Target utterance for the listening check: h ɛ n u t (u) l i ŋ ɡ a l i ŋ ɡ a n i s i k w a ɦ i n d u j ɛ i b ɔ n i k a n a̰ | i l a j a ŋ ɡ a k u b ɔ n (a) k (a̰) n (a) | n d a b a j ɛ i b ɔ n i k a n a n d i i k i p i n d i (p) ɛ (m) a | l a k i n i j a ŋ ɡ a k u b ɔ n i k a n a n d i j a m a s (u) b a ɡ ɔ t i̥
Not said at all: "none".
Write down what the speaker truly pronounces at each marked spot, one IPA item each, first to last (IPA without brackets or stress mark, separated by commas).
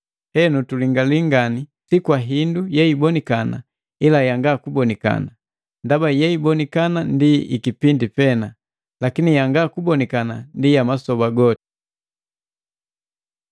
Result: u, i, a̰, a, p, n, ɔ